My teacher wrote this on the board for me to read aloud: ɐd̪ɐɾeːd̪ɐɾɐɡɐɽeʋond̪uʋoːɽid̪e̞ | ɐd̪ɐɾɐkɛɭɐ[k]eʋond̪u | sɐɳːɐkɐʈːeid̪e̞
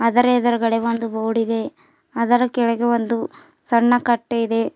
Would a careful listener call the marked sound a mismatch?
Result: yes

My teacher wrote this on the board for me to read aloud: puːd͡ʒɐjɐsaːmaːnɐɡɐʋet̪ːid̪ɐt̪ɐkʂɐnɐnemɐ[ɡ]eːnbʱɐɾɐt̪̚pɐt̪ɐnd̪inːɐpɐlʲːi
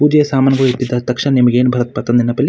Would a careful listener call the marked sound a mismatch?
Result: no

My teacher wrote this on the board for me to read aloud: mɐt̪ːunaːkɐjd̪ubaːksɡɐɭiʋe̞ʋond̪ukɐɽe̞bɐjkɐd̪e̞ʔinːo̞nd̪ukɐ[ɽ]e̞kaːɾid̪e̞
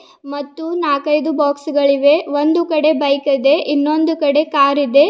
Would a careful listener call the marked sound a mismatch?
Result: no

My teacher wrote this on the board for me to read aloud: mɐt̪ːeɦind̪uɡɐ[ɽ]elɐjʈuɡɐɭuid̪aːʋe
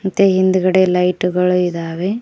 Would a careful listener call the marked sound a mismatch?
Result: no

